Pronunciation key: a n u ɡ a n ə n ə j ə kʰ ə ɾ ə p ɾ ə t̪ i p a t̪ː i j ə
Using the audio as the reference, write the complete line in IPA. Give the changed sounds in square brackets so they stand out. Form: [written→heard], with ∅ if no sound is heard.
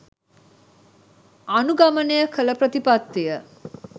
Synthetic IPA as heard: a n u ɡ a [n→m] ə n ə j ə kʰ ə [ɾ→l] ə p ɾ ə t̪ i p a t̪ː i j ə